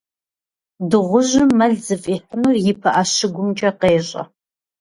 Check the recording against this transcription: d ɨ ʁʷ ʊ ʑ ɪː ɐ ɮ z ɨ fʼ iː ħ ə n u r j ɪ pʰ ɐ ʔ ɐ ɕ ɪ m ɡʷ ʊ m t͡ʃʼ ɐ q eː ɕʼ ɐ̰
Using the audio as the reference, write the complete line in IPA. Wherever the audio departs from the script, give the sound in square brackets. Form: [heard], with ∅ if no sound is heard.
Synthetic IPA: d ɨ ʁʷ ʊ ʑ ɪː ɐ ɮ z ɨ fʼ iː ħ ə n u r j ɪ pʰ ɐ ʔ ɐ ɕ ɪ [∅] ɡʷ ʊ m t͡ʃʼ ɐ q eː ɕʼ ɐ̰